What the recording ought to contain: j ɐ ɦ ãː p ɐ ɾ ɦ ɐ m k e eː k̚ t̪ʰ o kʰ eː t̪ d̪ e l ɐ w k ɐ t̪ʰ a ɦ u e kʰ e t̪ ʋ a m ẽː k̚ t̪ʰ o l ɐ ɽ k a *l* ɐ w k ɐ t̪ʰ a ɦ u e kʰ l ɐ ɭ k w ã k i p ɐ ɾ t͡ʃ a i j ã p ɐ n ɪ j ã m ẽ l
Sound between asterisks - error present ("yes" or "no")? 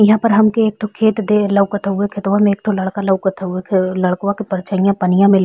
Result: no